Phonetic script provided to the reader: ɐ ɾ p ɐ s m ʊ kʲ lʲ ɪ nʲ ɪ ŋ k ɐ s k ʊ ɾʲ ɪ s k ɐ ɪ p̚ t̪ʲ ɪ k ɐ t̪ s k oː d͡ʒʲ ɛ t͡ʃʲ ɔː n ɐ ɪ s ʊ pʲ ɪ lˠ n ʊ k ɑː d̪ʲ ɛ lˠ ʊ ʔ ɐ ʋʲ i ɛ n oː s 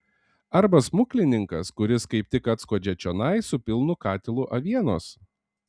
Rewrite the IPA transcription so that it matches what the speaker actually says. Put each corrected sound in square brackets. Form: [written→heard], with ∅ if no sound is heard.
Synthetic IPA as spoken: ɐ ɾ [p→b] ɐ s m ʊ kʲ lʲ ɪ nʲ ɪ ŋ k ɐ s k ʊ ɾʲ ɪ s k ɐ ɪ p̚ t̪ʲ ɪ k ɐ t̪ s k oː d͡ʒʲ ɛ t͡ʃʲ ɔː n ɐ ɪ s ʊ pʲ ɪ lˠ n ʊ k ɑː [d̪ʲ→t̪ʲ] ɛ lˠ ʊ ʔ ɐ ʋʲ i ɛ n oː s